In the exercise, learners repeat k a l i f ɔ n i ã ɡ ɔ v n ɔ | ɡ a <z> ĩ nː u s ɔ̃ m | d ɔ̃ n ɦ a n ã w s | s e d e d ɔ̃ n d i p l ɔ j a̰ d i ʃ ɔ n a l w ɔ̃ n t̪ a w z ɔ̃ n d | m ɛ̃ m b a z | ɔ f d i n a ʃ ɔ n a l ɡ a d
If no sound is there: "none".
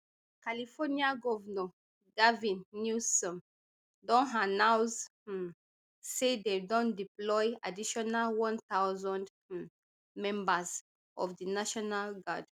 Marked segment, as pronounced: v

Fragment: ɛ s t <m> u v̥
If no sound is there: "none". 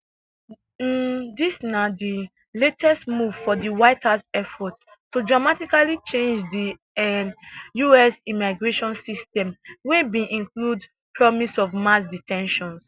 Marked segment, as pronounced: m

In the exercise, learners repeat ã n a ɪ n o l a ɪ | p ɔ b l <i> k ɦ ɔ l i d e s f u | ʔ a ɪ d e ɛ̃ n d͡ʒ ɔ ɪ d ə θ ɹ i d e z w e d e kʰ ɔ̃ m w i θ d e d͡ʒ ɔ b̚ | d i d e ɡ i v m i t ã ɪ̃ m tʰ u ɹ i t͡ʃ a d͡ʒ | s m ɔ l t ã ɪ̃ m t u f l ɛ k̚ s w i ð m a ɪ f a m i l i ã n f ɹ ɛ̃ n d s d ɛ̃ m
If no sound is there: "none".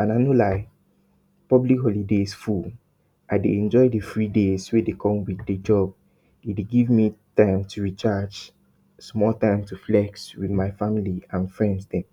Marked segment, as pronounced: i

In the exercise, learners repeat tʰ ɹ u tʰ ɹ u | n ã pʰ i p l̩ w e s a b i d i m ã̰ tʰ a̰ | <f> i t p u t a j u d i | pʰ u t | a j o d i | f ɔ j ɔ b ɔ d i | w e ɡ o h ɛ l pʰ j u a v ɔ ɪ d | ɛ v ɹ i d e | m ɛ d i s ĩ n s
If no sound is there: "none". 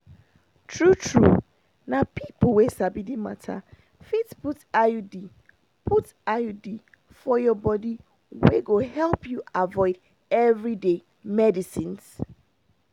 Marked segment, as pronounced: f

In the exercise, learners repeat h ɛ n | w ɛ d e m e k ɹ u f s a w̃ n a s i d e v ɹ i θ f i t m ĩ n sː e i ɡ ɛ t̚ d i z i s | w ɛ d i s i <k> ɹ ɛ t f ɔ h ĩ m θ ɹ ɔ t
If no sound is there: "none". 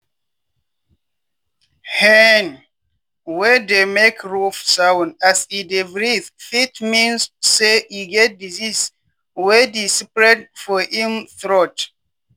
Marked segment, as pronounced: p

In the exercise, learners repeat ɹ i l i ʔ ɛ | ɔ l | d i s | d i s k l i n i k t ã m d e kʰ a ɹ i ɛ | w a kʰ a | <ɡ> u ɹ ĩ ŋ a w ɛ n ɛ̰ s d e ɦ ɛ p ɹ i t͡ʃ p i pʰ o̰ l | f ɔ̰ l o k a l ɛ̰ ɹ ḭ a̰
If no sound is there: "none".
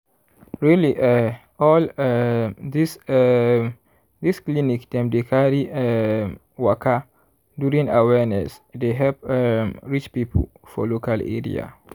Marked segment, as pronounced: d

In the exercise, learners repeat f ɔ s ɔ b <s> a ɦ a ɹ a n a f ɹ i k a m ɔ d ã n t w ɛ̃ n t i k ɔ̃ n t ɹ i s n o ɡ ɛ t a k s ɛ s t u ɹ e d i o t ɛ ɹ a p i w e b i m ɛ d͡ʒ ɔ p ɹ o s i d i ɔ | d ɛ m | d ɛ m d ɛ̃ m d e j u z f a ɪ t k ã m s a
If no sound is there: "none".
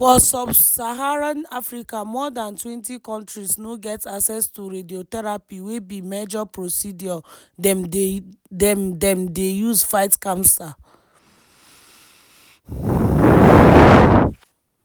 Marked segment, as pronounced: s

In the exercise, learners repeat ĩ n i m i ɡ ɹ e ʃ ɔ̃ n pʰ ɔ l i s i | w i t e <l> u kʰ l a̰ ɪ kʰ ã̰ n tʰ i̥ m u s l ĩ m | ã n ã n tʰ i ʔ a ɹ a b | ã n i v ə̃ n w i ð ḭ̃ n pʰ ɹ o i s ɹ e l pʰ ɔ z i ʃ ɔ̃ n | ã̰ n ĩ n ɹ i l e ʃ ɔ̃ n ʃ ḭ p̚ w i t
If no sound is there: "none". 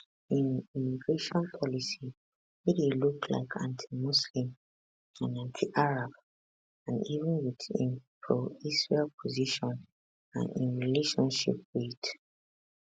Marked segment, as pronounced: l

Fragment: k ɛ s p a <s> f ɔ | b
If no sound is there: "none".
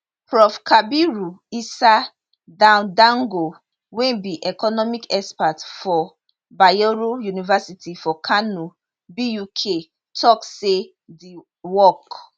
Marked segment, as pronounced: t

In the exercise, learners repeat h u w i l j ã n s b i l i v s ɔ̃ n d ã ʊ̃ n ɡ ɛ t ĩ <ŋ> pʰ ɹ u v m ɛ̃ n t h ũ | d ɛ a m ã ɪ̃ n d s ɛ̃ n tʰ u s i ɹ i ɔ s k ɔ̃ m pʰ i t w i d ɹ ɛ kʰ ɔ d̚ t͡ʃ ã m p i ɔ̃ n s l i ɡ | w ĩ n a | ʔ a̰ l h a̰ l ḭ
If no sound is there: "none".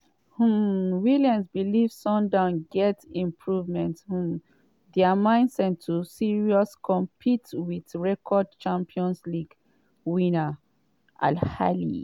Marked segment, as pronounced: m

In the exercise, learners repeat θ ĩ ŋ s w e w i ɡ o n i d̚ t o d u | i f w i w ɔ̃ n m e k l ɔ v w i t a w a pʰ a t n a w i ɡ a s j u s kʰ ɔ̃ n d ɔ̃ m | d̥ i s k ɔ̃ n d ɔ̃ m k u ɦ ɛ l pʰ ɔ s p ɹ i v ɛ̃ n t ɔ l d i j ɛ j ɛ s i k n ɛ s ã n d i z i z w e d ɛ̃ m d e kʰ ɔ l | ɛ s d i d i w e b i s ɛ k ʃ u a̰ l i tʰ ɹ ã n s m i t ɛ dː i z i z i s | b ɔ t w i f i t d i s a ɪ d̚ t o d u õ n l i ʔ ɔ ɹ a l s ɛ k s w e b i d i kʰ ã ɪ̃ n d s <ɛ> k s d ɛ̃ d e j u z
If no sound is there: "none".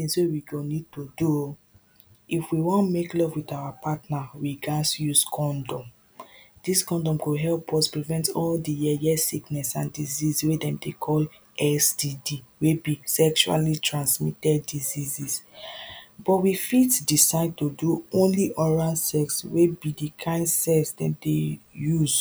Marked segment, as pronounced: ɛ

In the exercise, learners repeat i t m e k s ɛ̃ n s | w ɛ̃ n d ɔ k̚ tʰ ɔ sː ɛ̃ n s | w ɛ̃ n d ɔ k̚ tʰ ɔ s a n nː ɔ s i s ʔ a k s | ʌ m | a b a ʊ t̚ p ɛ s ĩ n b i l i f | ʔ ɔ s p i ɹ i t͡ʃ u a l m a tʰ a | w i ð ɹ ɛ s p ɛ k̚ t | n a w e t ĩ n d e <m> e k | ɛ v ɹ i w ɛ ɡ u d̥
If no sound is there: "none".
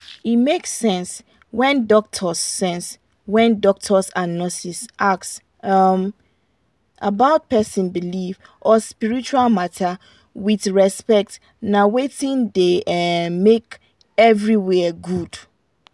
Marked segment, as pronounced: m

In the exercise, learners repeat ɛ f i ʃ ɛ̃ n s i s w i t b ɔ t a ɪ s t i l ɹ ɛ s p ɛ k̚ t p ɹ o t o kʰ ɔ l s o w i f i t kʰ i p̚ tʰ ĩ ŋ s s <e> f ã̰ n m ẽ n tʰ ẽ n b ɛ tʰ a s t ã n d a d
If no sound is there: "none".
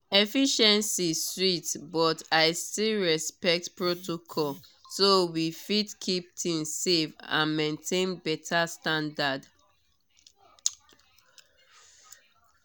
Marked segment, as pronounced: e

